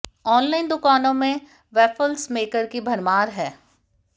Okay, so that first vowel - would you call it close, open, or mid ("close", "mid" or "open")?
mid